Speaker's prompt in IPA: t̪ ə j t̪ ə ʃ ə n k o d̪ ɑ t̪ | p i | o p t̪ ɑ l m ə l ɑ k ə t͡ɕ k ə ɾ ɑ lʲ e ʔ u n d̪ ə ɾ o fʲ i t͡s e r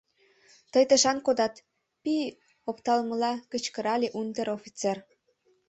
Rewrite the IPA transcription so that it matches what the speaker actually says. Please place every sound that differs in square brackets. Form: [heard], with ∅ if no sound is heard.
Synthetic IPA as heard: t̪ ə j t̪ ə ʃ [ɑ] n k o d̪ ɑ t̪ | p i | o p t̪ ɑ l m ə l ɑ k ə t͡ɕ k ə ɾ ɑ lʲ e ʔ u n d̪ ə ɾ o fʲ i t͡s e r